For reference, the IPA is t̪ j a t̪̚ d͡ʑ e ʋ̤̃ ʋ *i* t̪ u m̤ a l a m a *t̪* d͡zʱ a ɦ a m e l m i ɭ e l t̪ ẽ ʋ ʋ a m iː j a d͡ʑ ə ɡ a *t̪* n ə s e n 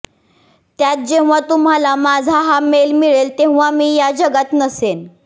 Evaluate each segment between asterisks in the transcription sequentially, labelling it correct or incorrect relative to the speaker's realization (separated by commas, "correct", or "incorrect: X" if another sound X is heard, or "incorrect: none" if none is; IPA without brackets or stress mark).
incorrect: a, incorrect: none, correct